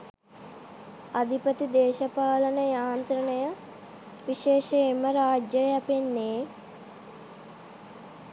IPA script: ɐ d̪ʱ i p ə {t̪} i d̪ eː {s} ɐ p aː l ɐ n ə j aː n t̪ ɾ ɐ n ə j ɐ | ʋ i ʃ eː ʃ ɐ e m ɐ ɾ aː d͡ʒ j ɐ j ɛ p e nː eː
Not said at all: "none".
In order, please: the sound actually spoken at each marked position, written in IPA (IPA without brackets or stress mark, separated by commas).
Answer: t̪, ʃ